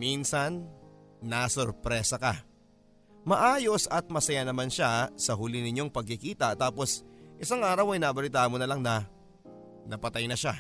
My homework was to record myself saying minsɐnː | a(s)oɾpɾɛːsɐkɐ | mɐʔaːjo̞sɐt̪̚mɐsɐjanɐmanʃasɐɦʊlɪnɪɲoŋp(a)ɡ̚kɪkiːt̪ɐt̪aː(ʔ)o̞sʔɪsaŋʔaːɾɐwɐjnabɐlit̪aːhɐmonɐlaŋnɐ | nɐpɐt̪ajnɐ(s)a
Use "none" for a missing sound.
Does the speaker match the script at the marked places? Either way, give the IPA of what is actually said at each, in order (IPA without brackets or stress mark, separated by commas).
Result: s, ɐ, p, ʃ